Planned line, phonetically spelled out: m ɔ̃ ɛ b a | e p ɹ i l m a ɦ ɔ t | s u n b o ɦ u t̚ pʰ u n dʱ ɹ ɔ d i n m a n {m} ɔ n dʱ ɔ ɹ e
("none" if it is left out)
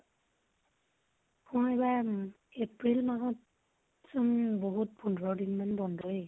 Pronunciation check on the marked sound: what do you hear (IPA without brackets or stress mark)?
b